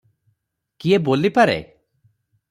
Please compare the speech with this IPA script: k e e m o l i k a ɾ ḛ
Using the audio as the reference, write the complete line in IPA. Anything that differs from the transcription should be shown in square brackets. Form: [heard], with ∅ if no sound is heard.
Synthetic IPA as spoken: k [i] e [b] o l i [p] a ɾ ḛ